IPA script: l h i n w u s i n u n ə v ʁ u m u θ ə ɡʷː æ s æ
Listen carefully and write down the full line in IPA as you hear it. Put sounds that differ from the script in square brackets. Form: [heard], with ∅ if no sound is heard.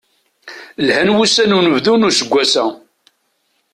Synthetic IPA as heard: l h [æ] n w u s [æ] n u n ə v [ð] u [n] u [s] ə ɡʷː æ s æ